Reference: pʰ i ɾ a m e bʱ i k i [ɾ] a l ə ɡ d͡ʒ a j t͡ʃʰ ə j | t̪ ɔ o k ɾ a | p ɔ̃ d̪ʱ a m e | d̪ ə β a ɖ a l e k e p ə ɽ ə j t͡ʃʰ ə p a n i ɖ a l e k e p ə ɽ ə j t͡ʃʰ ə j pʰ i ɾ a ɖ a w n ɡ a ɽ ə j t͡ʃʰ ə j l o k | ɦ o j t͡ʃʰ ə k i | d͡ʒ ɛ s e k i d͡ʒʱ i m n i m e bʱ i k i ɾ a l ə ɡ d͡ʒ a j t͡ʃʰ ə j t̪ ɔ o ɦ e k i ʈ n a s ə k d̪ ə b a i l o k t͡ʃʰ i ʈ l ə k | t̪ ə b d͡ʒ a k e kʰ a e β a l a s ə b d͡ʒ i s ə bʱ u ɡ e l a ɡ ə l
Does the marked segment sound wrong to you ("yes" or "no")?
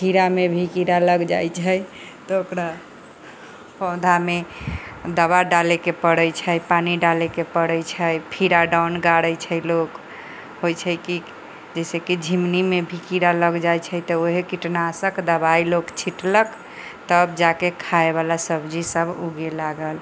no